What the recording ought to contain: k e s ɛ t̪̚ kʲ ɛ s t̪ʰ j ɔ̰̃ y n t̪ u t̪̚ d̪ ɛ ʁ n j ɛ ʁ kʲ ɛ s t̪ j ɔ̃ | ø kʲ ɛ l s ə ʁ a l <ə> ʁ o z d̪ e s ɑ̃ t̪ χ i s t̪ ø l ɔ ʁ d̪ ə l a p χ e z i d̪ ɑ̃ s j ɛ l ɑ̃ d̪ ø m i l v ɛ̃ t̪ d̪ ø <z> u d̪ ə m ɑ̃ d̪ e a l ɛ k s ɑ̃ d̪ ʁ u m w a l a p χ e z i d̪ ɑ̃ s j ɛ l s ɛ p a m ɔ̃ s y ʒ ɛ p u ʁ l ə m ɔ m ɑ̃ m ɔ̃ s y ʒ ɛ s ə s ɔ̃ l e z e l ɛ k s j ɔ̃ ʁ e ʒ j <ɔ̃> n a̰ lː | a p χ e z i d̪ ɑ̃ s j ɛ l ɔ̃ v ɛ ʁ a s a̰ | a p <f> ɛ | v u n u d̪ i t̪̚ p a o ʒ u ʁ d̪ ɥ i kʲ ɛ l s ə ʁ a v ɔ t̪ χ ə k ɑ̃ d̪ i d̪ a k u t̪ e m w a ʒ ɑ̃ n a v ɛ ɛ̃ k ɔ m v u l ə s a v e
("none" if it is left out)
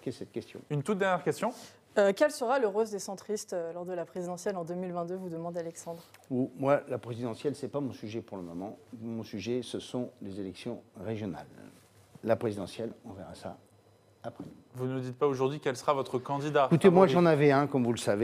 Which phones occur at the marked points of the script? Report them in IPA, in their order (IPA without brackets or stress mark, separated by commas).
ə, v, ɔ, χ